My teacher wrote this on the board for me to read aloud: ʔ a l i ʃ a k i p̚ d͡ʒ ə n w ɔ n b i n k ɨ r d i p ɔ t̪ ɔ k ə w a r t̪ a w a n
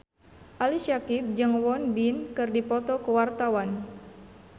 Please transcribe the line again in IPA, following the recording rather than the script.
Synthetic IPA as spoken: ʔ a l i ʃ a k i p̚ d͡ʒ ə ŋ w ɔ n b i n k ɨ r d i p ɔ t̪ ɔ k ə w a r t̪ a w a n